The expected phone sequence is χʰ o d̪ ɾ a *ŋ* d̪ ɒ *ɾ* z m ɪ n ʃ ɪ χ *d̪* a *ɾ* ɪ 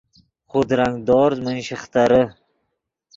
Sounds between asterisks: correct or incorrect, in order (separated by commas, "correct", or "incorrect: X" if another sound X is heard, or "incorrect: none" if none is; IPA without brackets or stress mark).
correct, correct, incorrect: t̪, correct